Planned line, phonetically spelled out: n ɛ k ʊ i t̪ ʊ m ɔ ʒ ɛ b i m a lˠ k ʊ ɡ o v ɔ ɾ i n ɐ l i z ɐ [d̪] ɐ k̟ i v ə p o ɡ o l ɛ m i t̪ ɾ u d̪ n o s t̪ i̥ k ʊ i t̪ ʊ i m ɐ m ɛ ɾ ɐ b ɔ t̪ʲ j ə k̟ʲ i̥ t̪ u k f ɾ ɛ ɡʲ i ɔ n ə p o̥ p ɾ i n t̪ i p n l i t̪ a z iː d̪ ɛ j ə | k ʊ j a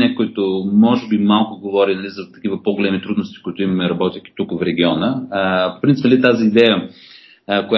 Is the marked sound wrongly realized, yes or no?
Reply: yes